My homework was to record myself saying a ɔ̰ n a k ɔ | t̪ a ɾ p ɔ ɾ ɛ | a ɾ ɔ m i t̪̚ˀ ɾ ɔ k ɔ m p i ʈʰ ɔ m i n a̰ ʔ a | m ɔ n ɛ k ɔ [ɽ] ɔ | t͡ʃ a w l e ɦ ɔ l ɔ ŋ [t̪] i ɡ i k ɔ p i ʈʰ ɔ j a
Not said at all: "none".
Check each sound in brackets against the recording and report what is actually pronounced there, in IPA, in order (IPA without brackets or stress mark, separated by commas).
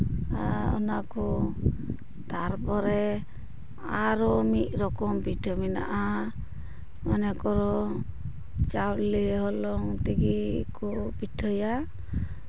ɾ, t̪